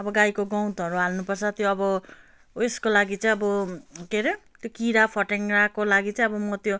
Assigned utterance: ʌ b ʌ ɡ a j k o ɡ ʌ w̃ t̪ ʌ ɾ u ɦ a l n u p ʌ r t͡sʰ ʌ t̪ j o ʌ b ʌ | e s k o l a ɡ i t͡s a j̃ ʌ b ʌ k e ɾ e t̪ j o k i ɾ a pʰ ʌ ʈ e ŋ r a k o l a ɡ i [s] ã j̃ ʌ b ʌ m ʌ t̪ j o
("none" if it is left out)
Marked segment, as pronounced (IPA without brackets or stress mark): t͡s